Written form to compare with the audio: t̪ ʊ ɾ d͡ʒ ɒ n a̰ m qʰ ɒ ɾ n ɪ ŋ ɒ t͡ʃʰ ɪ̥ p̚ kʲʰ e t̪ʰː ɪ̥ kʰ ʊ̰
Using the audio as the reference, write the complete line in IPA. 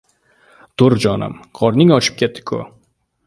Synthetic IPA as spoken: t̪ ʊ ɾ d͡ʒ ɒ n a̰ m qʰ ɒ ɾ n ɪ ŋ ɒ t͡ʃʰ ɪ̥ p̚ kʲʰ e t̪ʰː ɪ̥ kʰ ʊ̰

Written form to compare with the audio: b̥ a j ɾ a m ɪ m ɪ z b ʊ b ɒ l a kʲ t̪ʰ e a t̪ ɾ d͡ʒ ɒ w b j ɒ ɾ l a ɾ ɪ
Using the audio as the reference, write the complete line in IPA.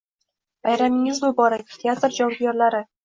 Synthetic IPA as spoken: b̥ a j ɾ a m ɪ ŋ ɪ z b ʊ b ɒ ɾ a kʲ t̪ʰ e a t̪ ɾ d͡ʒ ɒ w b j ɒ ɾ l a ɾ ɪ

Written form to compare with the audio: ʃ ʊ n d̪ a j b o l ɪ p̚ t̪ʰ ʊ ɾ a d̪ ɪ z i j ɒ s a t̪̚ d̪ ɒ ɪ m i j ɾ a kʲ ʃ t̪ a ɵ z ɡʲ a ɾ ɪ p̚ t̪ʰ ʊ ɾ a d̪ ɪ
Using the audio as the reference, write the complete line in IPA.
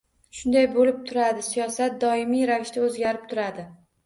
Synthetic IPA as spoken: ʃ ʊ n d̪ a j b o l ɪ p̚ t̪ʰ ʊ ɾ a d̪ ɪ s i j ɒ s a t̪̚ d̪ ɒ ɪ m i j ɾ a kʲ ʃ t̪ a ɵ z ɡʲ a ɾ ɪ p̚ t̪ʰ ʊ ɾ a d̪ ɪ

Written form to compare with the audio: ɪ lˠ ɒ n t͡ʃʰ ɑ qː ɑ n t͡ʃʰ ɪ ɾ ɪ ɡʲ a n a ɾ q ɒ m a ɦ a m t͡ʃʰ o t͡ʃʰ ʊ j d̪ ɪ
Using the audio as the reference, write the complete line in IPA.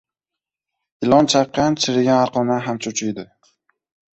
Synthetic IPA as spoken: ɪ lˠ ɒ n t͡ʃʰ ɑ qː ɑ n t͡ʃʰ ɪ ɾ ɪ ɡʲ a n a ɾ q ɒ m a ɦ a m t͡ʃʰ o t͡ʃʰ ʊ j d̪ ɪ

